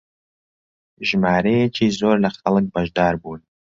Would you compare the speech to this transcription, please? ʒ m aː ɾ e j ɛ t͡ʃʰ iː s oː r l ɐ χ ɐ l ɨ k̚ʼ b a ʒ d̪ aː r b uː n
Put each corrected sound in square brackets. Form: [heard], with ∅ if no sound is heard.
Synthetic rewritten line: ʒ m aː ɾ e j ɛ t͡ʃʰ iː [z] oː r l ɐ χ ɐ l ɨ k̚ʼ b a ʒ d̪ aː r b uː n